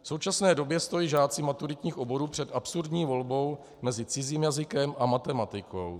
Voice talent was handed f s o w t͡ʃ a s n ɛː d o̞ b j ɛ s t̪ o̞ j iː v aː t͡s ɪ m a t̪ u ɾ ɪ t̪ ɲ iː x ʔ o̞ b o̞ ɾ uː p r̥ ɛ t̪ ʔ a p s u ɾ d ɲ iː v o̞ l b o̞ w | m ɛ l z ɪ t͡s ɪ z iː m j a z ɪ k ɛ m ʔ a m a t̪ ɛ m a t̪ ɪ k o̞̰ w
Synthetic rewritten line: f s o w t͡ʃ a s n ɛː d o̞ b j ɛ s t̪ o̞ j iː ʒ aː t͡s ɪ m a t̪ u ɾ ɪ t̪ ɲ iː x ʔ o̞ b o̞ ɾ uː p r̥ ɛ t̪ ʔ a p s u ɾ d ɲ iː v o̞ l b o̞ w | m ɛ z ɪ t͡s ɪ z iː m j a z ɪ k ɛ m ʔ a m a t̪ ɛ m a t̪ ɪ k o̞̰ w